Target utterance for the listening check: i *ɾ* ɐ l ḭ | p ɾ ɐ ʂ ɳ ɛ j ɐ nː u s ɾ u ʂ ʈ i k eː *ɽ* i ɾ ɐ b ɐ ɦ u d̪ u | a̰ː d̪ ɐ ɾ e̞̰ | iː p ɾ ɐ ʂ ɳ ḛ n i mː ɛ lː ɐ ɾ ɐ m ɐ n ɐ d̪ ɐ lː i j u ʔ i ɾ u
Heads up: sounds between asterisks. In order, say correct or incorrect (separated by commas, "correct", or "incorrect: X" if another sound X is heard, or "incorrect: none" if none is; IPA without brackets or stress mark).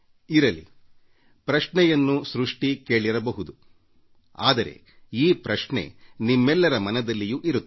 correct, incorrect: ɭ